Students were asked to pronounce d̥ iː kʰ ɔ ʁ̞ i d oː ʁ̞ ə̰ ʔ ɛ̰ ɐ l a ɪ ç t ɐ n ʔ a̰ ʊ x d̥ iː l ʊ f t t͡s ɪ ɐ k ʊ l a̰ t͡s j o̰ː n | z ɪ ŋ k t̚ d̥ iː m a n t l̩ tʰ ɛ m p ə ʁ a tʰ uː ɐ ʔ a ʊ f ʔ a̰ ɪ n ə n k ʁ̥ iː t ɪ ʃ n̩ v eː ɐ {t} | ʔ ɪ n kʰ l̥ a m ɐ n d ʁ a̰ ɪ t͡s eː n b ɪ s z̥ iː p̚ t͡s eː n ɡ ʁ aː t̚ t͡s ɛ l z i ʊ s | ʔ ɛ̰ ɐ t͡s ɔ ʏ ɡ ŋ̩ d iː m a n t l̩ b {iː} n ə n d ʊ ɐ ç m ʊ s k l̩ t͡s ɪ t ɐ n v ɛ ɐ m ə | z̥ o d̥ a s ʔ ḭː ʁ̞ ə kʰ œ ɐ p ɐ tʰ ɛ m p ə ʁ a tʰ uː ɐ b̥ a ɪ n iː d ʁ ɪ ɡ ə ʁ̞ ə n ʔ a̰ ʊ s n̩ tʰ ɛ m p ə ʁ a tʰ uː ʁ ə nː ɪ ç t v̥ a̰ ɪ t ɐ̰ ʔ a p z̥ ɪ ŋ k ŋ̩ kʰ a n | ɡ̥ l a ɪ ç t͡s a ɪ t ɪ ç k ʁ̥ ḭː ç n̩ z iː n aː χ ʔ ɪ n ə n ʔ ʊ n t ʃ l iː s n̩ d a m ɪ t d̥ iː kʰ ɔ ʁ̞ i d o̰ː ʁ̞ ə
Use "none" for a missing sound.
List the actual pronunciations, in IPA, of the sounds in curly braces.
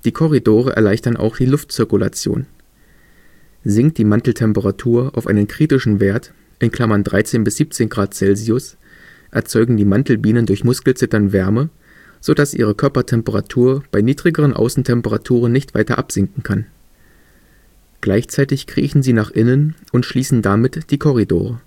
t, iː

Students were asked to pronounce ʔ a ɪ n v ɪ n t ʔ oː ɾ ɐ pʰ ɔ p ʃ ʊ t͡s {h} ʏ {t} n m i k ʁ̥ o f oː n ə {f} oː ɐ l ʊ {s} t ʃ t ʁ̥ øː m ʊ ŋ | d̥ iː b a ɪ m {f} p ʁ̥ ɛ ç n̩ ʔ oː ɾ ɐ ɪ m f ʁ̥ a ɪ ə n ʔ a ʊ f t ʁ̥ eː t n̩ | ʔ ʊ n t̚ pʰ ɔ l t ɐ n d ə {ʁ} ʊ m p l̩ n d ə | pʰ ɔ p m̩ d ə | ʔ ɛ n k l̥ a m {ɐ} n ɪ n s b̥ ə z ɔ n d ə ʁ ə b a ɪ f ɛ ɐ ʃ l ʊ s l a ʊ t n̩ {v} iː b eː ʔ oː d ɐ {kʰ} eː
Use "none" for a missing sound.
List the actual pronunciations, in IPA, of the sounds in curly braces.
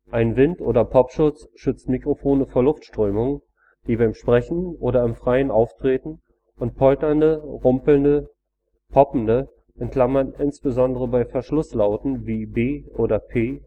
ʃ, t͡s, f, f, ʃ, ʁ, ɐ, v, pʰ

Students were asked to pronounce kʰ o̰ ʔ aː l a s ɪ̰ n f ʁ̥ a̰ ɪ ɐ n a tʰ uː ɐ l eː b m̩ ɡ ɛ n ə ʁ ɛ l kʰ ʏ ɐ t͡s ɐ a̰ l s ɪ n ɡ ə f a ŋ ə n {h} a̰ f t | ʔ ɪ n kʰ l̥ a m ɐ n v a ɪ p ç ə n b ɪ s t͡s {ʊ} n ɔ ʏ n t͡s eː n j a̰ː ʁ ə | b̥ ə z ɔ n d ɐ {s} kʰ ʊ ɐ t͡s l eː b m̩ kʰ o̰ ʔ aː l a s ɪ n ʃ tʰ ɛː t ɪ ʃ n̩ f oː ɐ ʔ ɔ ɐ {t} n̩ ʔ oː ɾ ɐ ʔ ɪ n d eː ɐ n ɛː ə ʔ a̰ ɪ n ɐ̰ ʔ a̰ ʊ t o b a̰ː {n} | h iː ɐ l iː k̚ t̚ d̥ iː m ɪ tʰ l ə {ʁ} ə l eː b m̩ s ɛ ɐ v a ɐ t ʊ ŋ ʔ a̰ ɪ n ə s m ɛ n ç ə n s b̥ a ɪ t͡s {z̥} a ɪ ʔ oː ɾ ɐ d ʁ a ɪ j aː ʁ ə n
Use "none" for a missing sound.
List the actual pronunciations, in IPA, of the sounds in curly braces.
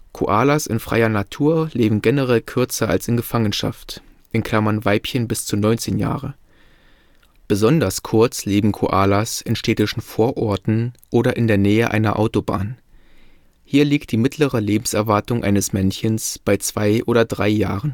ʃ, u, s, t, n, ʁ, v̥

